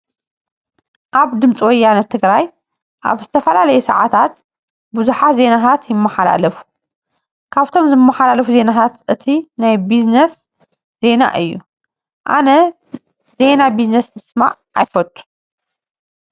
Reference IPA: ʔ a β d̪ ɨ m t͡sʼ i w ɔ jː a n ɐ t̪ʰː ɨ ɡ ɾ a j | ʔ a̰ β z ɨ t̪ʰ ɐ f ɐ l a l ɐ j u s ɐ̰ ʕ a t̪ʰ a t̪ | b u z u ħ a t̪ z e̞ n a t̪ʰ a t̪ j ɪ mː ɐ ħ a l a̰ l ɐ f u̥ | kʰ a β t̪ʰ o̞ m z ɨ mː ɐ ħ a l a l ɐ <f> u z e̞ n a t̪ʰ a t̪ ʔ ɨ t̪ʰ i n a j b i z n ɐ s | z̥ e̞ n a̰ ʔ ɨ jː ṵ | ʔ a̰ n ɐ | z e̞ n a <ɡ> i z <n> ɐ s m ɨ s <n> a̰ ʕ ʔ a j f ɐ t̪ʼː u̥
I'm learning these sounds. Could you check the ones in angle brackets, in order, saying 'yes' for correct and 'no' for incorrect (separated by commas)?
yes, no, yes, no